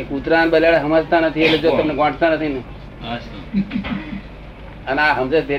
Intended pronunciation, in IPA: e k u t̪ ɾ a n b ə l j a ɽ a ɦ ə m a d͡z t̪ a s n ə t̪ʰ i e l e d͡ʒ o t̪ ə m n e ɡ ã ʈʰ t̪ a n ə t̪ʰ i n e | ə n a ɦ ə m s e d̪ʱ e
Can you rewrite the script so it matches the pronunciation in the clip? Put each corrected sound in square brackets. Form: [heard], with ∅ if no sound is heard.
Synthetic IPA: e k u t̪ ɾ a n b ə l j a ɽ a ɦ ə m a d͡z t̪ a [∅] n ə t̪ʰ i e l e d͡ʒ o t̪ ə m n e ɡ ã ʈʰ t̪ a n ə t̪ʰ i n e | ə n a ɦ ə m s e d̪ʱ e